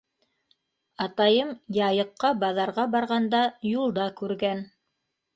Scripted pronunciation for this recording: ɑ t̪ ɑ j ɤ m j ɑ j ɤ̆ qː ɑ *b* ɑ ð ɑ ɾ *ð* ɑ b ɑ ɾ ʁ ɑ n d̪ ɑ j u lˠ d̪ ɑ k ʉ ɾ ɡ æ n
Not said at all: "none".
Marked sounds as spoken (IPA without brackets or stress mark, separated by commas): b, ʁ